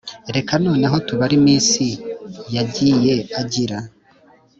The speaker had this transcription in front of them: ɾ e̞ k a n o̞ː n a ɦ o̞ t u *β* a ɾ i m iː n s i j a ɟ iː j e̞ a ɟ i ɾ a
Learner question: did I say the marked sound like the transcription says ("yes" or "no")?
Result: yes